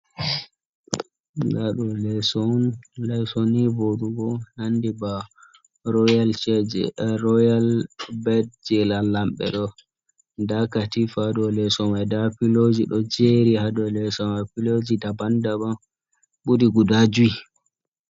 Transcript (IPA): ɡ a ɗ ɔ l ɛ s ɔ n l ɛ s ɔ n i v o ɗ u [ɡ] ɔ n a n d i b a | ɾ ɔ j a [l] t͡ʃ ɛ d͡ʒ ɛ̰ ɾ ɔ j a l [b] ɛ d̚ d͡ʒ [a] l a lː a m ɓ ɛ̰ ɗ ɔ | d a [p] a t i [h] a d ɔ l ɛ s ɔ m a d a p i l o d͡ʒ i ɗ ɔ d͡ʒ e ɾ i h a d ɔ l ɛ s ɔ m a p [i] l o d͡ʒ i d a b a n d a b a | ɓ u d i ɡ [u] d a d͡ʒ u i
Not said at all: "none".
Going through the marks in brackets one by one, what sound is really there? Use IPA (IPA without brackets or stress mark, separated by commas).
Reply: ɡ, l, b, ɛ, k, f, i, u